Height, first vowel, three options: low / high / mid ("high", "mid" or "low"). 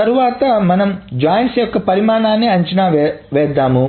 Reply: low